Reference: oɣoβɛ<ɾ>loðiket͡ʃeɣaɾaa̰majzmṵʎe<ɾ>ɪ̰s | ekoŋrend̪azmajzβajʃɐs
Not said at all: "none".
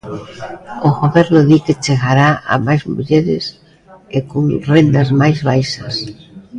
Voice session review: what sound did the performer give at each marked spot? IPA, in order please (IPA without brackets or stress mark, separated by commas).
ɾ, ɾ